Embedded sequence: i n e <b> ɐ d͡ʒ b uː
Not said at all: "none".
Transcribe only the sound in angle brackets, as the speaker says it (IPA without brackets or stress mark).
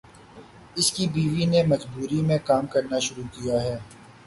m